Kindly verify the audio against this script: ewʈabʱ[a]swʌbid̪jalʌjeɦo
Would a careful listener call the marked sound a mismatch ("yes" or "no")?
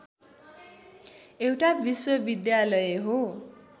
yes